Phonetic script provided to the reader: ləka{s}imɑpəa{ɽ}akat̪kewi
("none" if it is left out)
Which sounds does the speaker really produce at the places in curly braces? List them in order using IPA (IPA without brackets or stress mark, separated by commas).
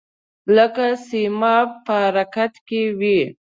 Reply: s, ɾ